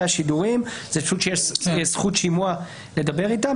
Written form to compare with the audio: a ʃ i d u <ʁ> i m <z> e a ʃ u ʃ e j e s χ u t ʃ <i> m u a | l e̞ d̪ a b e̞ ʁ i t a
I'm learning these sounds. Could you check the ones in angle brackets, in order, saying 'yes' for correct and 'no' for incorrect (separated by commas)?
yes, yes, yes